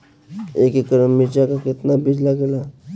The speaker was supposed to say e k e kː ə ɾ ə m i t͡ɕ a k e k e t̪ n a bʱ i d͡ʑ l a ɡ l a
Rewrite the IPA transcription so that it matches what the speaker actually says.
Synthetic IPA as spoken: e k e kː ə ɾ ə m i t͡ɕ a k a k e t̪ n a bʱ i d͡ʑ l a ɡ l a